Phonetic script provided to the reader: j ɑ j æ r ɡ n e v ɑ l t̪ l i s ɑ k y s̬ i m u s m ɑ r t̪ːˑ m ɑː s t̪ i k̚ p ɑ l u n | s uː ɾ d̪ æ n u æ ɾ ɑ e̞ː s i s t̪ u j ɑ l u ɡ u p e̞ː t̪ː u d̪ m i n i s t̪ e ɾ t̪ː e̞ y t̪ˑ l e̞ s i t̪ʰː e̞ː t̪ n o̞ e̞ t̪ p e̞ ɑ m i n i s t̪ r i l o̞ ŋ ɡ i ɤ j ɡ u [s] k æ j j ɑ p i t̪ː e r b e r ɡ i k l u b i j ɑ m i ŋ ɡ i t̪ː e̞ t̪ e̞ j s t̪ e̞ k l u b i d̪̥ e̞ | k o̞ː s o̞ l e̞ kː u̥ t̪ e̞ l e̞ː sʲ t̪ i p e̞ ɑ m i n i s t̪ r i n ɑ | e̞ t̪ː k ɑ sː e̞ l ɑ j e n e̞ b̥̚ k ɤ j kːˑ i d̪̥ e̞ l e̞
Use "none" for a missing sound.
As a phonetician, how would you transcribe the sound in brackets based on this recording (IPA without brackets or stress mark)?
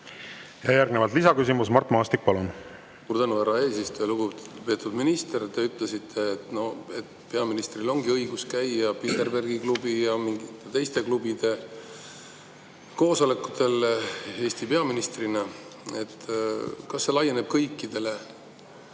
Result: s